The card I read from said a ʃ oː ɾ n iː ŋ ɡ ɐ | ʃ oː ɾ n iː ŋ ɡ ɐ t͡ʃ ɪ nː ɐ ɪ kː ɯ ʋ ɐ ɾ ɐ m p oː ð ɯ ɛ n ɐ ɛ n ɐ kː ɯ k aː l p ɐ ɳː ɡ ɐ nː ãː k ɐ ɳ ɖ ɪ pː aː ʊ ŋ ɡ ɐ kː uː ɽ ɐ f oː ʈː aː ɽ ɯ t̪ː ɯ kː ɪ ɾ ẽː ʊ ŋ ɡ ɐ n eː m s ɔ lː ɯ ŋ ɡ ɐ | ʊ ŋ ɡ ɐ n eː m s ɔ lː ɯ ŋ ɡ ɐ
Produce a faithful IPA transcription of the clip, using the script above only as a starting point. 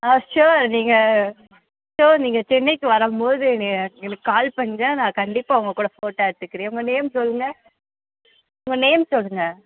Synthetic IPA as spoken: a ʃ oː ɾ n iː ŋ ɡ ɐ | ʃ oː ɾ n iː ŋ ɡ ɐ t͡ʃ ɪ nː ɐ ɪ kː ɯ ʋ ɐ ɾ ɐ m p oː ð ɯ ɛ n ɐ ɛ n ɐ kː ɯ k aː l p ɐ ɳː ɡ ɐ n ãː k ɐ ɳ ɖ ɪ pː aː ʊ ŋ ɡ ɐ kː uː ɽ ɐ f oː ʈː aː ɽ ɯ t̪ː ɯ kː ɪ ɾ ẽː ʊ ŋ ɡ ɐ n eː m s ɔ lː ɯ ŋ ɡ ɐ | ʊ ŋ ɡ ɐ n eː m s ɔ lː ɯ ŋ ɡ ɐ